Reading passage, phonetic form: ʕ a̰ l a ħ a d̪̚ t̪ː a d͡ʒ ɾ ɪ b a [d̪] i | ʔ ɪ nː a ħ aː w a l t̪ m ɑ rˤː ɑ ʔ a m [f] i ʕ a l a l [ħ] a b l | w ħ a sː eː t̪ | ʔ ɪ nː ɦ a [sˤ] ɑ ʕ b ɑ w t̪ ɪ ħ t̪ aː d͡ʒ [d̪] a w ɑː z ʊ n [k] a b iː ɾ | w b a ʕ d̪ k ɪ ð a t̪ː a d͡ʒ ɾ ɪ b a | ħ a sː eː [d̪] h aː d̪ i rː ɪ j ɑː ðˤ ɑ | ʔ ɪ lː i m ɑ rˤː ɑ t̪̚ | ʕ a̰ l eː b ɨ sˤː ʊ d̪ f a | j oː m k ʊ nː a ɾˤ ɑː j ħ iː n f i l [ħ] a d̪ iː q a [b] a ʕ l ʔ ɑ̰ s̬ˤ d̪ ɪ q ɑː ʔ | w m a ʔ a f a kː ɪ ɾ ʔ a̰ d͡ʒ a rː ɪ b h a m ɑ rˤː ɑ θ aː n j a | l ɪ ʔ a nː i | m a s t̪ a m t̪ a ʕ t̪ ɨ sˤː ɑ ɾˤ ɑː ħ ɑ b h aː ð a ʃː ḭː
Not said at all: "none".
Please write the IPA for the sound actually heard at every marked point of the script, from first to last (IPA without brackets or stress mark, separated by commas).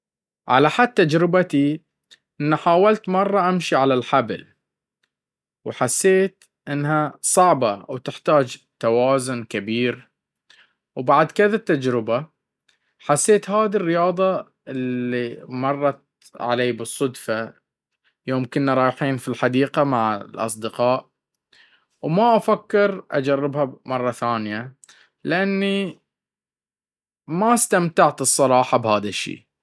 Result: t̪, ʃ, ħ, sˤ, t̪, k, t̪, ħ, m